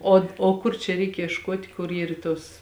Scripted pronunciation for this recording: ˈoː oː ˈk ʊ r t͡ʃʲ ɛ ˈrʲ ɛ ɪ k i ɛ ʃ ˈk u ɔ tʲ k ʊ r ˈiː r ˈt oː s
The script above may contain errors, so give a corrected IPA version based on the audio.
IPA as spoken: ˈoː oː ˈk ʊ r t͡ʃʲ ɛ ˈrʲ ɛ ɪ k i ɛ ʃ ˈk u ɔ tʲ k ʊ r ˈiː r ˈt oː s